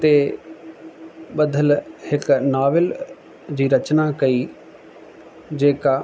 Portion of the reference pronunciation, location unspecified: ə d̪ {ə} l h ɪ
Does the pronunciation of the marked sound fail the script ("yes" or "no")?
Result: no